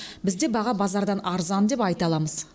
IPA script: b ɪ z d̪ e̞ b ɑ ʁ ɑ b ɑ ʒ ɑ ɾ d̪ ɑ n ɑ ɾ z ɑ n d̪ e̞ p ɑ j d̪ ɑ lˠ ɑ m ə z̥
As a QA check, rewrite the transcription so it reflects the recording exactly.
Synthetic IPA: b ɪ z d̪ e̞ b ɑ ʁ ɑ b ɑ z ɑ ɾ d̪ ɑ n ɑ ɾ z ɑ n d̪ e̞ p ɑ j t̪ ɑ lˠ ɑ m ə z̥